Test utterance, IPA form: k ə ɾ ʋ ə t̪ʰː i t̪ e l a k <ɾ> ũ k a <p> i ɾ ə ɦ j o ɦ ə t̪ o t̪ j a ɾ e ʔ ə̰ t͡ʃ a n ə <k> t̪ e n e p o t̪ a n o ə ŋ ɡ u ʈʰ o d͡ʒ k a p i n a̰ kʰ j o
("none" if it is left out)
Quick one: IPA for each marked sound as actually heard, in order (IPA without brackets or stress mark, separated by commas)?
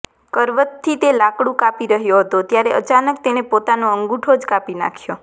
ɽ, p, k